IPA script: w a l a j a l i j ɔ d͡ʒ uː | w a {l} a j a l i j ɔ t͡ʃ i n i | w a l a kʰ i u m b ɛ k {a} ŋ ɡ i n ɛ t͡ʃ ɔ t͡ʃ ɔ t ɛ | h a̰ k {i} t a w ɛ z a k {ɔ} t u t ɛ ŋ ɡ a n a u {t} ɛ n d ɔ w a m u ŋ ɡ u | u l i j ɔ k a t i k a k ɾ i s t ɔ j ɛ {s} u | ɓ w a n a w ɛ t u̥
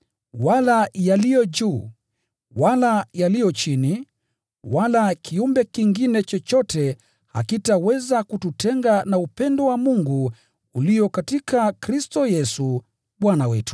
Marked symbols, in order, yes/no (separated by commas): yes, no, yes, no, no, yes